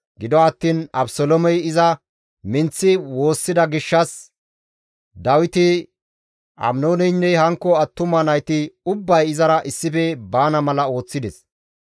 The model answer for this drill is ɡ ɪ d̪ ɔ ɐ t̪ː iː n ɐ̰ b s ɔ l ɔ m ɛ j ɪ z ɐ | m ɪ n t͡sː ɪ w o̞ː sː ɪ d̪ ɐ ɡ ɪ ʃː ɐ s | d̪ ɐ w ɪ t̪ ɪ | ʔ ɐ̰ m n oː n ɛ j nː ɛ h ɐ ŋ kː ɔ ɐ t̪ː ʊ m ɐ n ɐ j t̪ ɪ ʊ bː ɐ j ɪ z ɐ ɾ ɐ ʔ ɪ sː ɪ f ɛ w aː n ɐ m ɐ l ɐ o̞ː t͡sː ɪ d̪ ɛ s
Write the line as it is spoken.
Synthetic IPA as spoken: ɡ ɪ d̪ ɔ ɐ t̪ː iː n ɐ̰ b s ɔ l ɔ m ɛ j ɪ z ɐ | m ɪ n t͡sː ɪ w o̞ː sː ɪ d̪ ɐ ɡ ɪ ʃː ɐ s | d̪ ɐ w ɪ t̪ ɪ | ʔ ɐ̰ m n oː n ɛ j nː ɛ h ɐ ŋ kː ɔ ɐ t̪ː ʊ m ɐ n ɐ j t̪ ɪ ʊ bː ɐ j ɪ z ɐ ɾ ɐ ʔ ɪ sː ɪ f ɛ b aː n ɐ m ɐ l ɐ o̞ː t͡sː ɪ d̪ ɛ s